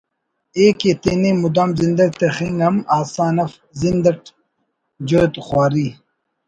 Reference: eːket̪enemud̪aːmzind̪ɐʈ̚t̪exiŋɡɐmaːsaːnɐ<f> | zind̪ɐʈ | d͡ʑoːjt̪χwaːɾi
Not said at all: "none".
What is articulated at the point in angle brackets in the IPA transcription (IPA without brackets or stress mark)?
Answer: f